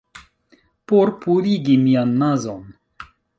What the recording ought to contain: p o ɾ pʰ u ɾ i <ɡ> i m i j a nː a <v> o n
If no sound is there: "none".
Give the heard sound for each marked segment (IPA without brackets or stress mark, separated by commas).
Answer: ɡ, z